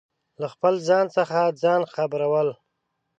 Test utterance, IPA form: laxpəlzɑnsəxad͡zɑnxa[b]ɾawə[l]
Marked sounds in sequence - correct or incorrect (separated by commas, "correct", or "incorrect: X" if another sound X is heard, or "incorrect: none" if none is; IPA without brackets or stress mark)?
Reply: correct, correct